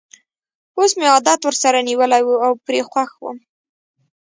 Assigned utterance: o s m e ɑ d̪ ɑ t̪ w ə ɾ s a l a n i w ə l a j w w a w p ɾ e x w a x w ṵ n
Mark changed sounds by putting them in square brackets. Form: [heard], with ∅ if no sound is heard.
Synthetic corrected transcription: o s m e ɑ d̪ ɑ t̪ w ə ɾ s a [ɾ] a n i w ə l a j w [u] a w p ɾ e x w a x w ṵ [m]